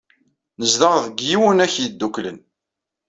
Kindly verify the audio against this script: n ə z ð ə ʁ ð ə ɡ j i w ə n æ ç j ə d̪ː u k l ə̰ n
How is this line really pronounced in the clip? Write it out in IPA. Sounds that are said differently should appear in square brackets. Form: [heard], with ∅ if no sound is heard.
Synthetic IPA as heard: n ə z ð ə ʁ ð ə ɡ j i w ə n æ ç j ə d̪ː u k l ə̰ n

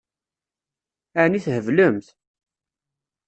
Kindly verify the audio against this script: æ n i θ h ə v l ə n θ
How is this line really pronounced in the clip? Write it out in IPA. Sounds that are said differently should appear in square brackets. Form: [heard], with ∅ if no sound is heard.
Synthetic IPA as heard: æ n i θ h ə v l ə [m] θ

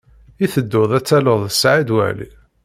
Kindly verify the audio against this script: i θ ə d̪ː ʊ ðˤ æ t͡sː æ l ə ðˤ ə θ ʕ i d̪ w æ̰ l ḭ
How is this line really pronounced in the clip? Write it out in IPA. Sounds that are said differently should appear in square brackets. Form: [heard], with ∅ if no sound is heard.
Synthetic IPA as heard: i θ ə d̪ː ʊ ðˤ æ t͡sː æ l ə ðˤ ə [s] ʕ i d̪ w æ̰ l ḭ

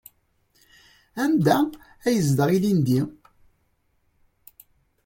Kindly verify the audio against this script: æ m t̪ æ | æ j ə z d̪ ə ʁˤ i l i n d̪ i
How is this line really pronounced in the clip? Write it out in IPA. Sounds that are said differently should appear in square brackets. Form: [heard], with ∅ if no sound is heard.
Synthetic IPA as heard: æ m [d̪] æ | æ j ə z d̪ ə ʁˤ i l i n d̪ i

